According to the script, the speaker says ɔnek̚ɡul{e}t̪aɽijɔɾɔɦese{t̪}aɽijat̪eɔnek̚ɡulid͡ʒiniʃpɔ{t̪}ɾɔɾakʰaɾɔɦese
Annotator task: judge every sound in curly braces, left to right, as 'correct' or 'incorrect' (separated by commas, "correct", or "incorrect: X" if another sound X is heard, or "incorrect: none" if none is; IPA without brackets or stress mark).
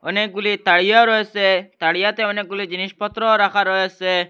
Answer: incorrect: i, correct, correct